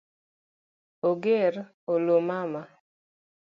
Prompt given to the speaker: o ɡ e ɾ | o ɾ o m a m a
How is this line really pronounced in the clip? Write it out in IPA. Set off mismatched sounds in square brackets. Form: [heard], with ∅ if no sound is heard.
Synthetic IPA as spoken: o ɡ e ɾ | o [l] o m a m a